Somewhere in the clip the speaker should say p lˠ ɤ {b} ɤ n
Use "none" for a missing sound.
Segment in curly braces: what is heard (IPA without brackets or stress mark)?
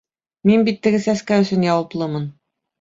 m